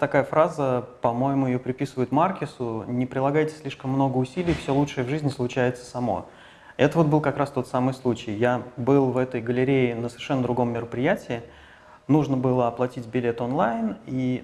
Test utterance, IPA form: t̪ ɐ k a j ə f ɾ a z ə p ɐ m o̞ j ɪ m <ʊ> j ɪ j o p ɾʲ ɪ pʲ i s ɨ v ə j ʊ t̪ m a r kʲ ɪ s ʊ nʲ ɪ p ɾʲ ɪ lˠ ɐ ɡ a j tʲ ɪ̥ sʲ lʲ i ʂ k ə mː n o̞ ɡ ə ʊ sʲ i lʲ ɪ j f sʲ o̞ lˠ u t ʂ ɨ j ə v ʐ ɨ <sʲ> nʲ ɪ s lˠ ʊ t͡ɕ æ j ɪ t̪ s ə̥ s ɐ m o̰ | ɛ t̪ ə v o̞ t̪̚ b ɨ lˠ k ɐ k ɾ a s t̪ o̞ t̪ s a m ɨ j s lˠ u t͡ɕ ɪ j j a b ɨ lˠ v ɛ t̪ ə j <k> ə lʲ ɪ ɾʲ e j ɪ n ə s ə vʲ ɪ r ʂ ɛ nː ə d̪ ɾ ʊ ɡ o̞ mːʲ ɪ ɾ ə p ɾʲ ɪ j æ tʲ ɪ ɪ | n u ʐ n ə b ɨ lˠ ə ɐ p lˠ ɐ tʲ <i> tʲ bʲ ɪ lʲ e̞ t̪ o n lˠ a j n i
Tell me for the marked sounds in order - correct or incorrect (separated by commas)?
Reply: correct, incorrect, incorrect, correct